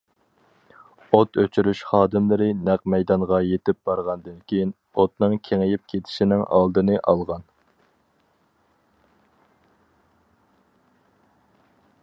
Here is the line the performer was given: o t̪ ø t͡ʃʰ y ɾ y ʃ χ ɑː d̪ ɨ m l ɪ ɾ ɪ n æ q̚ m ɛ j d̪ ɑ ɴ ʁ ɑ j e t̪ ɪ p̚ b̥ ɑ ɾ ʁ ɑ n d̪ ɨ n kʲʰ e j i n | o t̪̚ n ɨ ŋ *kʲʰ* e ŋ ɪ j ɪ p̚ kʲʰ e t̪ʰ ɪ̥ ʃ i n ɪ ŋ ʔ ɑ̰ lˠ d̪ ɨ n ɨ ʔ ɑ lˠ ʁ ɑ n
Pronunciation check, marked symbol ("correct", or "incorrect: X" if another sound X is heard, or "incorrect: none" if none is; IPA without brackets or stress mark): correct